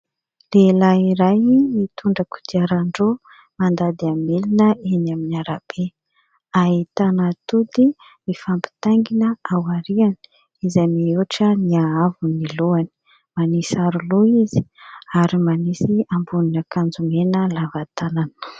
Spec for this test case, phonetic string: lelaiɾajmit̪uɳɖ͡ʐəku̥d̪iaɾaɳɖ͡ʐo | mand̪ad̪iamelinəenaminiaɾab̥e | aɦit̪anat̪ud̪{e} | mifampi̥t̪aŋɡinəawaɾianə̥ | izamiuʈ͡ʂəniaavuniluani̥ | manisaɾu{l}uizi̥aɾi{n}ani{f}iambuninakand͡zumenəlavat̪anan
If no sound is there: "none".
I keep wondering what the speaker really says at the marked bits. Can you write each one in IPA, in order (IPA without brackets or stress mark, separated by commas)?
i, l, m, s